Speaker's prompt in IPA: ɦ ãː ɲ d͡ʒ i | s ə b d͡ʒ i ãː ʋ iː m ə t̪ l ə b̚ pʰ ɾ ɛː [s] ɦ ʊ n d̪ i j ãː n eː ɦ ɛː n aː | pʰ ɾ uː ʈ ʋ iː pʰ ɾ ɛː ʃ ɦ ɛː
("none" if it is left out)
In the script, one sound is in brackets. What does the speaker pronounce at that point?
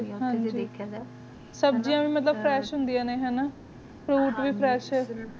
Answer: ʃ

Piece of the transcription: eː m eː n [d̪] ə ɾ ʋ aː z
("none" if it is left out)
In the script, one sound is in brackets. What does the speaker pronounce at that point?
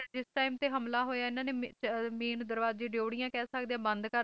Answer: d̪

